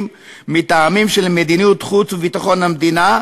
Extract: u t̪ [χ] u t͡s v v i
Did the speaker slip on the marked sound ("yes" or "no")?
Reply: no